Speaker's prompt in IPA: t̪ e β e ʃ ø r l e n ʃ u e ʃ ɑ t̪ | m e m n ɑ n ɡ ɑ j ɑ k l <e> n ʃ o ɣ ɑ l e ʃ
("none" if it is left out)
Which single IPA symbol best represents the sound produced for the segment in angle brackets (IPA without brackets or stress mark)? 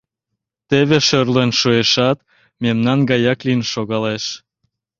i